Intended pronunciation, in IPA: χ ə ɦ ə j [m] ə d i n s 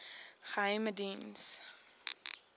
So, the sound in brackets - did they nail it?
yes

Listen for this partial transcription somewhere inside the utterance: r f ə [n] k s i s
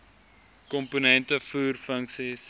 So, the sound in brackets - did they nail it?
no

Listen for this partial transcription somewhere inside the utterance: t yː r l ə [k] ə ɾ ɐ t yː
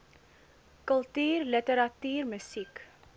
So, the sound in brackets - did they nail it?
no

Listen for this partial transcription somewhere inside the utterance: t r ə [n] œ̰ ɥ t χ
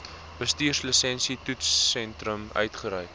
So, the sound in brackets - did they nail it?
no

